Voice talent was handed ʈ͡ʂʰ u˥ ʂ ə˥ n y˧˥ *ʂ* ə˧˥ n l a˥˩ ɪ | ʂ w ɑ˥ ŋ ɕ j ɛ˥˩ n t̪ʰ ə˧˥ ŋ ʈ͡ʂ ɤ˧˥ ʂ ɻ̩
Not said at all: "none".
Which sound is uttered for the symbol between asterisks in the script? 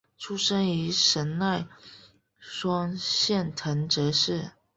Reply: ʂ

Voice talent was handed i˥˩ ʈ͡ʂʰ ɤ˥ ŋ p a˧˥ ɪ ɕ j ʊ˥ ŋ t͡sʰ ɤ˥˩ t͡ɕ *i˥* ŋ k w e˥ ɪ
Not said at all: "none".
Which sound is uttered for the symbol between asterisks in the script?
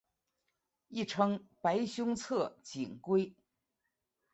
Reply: i˨˩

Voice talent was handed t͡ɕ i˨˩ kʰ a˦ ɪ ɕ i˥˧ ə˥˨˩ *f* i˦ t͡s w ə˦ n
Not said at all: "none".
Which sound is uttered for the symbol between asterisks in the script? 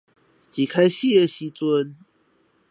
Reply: ɕ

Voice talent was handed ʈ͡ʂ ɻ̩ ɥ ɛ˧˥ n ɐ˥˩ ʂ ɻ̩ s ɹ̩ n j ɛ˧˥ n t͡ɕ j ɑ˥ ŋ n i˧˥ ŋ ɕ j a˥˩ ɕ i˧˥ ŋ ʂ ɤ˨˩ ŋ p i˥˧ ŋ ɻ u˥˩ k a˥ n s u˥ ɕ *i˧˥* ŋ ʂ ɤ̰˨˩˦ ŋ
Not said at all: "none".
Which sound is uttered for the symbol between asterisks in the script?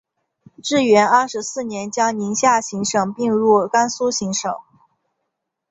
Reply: i˧˥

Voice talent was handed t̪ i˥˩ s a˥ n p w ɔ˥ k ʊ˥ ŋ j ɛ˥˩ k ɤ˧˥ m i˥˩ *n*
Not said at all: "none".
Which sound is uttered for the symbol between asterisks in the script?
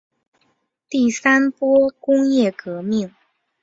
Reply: ŋ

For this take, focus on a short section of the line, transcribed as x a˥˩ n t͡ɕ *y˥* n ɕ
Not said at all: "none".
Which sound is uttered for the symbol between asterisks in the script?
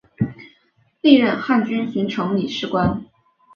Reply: y˥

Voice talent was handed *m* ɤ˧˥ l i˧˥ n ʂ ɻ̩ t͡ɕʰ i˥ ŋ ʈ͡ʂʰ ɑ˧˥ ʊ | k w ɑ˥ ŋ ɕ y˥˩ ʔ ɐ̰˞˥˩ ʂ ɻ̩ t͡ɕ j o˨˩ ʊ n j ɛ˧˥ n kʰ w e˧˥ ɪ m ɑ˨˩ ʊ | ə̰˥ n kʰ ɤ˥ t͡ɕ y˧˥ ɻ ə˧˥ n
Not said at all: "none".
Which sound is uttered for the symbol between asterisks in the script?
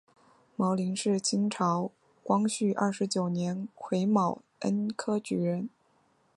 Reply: m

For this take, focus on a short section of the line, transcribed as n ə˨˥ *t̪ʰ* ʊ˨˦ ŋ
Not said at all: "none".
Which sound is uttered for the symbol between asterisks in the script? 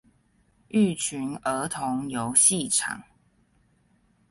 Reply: t̪ʰ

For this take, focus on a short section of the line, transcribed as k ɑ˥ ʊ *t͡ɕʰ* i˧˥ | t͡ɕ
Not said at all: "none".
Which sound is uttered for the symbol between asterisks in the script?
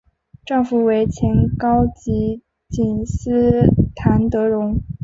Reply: t͡ɕ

